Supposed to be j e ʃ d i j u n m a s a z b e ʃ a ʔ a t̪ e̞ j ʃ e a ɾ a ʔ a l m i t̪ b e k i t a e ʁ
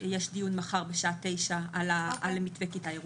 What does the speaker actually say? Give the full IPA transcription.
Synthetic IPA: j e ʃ d i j u n m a χ a ʁ b e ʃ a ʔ a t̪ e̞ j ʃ a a l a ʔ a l m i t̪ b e k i t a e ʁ